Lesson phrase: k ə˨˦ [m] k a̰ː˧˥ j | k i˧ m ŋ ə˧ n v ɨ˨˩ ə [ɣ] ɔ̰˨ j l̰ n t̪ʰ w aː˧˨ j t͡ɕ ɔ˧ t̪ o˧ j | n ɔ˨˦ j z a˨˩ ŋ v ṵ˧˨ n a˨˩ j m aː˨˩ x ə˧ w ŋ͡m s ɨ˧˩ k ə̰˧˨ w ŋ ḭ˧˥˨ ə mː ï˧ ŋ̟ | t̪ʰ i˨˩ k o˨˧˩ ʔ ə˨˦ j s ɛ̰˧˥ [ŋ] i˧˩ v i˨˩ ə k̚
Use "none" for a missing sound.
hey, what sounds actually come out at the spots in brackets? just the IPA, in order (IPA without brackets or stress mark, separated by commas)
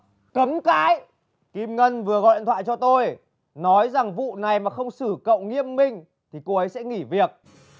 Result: m, ɣ, ŋ